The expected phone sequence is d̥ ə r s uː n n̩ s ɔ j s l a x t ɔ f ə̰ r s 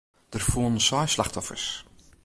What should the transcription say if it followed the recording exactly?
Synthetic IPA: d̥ ə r f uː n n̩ s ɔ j s l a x t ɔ f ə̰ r s